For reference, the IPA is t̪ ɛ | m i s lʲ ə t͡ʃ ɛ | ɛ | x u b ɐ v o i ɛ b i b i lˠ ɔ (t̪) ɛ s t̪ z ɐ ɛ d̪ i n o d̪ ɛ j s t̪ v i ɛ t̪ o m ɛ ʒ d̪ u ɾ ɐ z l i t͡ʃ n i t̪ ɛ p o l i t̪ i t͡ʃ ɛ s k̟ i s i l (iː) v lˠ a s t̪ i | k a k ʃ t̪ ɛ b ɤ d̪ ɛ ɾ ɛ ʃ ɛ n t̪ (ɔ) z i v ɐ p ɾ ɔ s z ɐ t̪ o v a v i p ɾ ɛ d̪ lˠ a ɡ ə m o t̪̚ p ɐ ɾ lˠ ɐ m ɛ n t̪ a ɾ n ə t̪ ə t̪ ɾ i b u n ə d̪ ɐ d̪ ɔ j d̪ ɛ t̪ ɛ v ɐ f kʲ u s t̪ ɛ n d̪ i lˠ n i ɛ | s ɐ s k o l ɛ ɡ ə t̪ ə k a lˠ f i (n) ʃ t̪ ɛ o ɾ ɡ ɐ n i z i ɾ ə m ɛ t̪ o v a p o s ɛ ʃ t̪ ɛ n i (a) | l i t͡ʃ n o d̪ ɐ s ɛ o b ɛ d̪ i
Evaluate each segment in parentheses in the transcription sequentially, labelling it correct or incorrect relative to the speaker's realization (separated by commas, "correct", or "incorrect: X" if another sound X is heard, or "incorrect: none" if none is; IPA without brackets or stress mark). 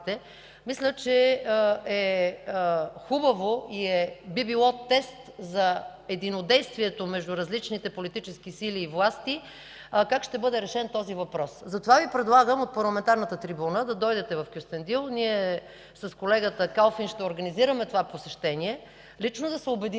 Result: correct, correct, correct, correct, incorrect: ɛ